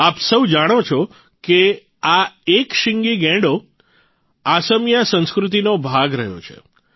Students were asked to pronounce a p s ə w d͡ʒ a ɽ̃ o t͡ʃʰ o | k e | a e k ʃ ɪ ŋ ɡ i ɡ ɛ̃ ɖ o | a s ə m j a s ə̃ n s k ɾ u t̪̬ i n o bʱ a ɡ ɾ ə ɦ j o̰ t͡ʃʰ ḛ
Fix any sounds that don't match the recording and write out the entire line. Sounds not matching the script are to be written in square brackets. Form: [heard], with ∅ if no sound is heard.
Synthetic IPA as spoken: a p s ə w d͡ʒ a ɽ̃ o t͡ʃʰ o | k e | a e k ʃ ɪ ŋ ɡ i ɡ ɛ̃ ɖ o | a s ə m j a s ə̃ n s k ɾ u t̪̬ i n o bʱ a ɡ ɾ ə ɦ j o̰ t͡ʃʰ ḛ